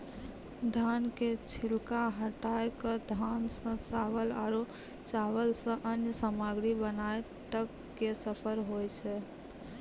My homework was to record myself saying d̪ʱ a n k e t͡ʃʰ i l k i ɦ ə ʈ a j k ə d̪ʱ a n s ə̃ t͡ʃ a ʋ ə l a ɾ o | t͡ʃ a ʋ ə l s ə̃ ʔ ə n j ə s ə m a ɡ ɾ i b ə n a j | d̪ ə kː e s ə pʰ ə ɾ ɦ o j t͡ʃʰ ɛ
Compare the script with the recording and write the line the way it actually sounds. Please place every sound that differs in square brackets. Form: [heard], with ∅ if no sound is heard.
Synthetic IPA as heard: d̪ʱ a n k e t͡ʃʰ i l k [a] ɦ ə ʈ a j k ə d̪ʱ a n s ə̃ t͡ʃ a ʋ ə l a ɾ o | t͡ʃ a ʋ ə l s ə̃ ʔ ə n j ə s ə m a ɡ ɾ i b ə n a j | [t̪] ə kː e s ə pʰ ə ɾ ɦ o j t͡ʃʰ ɛ